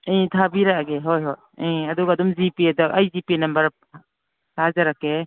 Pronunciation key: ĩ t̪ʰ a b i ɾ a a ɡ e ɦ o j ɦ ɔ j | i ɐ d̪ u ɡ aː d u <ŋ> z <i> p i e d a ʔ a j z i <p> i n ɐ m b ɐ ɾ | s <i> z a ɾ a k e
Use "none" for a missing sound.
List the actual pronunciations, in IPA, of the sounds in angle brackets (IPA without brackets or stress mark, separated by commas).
m, i, p, a